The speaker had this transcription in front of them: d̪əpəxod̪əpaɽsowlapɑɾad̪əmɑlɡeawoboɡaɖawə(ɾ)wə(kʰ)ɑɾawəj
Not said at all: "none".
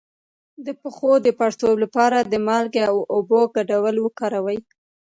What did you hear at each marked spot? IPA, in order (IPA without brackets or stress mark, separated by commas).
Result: l, k